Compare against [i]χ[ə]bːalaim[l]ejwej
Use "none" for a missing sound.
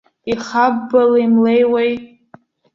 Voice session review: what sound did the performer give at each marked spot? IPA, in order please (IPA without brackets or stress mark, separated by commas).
i, a, l